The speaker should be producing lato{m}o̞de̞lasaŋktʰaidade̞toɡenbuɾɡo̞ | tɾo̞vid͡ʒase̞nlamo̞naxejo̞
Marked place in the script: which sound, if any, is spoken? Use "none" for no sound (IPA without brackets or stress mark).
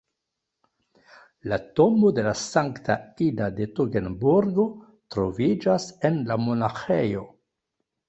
m